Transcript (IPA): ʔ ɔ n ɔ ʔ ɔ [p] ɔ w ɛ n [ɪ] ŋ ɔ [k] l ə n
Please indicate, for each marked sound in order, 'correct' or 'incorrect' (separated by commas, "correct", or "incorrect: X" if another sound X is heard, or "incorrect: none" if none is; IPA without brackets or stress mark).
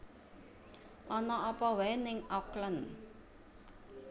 correct, correct, correct